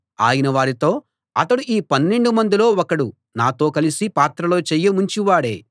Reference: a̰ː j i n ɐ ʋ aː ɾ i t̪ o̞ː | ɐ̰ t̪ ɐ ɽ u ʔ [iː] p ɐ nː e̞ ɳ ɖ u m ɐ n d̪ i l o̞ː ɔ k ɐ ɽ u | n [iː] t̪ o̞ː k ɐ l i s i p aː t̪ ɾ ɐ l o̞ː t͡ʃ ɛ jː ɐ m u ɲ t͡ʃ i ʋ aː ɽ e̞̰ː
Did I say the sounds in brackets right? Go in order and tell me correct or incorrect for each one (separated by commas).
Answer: correct, incorrect